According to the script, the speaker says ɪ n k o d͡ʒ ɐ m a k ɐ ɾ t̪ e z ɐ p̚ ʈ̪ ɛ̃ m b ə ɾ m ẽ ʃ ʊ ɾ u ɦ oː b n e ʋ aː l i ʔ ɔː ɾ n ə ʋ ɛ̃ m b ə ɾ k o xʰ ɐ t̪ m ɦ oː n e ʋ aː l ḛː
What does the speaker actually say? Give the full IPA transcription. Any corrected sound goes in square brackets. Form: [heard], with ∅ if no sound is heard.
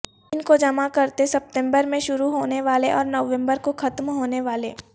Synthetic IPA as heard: ɪ n k o d͡ʒ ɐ m a k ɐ ɾ t̪ e [s] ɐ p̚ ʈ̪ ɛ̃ m b ə ɾ m ẽ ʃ ʊ ɾ u ɦ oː [∅] n e ʋ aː l [e] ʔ ɔː ɾ n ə ʋ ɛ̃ m b ə ɾ k o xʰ ɐ t̪ m ɦ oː n e ʋ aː l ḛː